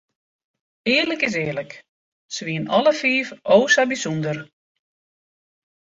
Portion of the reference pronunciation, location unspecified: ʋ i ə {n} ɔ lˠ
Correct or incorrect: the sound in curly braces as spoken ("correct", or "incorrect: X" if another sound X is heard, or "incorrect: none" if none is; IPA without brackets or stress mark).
correct